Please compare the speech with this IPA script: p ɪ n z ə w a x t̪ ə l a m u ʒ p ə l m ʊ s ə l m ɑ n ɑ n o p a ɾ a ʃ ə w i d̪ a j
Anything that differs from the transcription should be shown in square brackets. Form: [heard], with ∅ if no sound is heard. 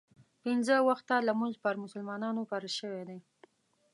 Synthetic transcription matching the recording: p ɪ n z ə w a x t̪ [a] l a m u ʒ p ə [ɾ] m ʊ s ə l m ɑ n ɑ n o p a ɾ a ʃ ə w [e] d̪ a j

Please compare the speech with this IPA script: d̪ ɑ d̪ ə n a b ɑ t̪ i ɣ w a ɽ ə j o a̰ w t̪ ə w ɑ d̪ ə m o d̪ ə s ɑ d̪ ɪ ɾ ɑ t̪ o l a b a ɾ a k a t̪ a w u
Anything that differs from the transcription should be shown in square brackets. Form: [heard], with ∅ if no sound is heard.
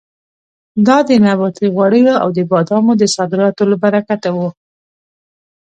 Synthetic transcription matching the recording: d̪ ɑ d̪ ə n a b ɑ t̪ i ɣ w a ɽ ə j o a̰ w [d̪] ə [b] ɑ d̪ [ɑ] m o d̪ ə s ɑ d̪ ɪ ɾ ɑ t̪ o l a b a ɾ a k a t̪ a w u

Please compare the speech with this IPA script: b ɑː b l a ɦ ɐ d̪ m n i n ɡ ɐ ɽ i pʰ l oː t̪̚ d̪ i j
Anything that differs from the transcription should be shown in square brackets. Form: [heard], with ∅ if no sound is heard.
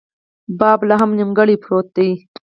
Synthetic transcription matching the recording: b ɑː b l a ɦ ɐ [∅] m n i [m] ɡ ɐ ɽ i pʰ [ɾ] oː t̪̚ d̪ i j

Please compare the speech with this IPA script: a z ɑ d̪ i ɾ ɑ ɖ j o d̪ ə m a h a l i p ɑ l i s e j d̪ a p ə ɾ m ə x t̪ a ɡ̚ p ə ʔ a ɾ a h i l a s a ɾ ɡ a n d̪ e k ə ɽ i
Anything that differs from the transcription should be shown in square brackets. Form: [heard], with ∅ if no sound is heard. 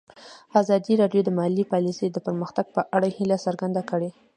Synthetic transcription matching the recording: a z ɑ d̪ i ɾ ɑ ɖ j o d̪ ə m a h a l i p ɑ l i s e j d̪ [ə] p ə ɾ m ə x t̪ a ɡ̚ p ə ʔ a [ɽ] a h i l a s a ɾ ɡ a n d̪ [a] k ə ɽ [e]

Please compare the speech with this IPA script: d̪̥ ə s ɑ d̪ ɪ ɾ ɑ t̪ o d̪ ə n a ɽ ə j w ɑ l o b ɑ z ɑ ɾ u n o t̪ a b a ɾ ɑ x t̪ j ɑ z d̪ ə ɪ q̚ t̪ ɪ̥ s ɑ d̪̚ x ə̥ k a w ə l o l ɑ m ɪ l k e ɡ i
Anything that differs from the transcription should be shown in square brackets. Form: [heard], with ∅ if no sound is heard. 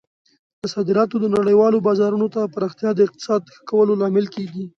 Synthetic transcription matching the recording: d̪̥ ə s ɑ d̪ ɪ ɾ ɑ t̪ o d̪ ə n a ɽ ə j w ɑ l o b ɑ z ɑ ɾ u n o t̪ a [p] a ɾ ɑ x t̪ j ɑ [∅] d̪ ə ɪ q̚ t̪ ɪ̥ s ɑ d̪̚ x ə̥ k a w ə l o l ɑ m ɪ l k e ɡ i

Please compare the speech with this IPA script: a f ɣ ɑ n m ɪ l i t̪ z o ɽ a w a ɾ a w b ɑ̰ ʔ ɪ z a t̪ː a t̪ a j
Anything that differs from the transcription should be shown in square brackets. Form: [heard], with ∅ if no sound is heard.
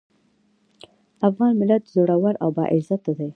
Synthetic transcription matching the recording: a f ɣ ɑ n m ɪ l [a] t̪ z o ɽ a w a ɾ a w b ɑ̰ ʔ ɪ z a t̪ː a [d̪] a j

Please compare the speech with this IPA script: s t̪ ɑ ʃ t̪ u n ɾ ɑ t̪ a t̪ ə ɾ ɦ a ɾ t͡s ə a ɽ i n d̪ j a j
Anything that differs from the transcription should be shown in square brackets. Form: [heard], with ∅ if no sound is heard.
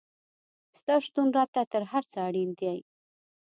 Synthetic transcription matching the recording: s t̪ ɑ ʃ t̪ u n ɾ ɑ t̪ a t̪ ə ɾ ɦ a ɾ t͡s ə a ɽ i n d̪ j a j

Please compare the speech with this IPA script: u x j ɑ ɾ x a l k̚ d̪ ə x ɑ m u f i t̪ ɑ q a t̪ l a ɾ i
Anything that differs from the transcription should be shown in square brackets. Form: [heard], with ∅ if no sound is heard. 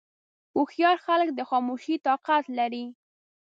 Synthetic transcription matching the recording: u x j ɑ ɾ x a l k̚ d̪ ə x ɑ m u [ʃ] i t̪ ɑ q a t̪ l a ɾ i

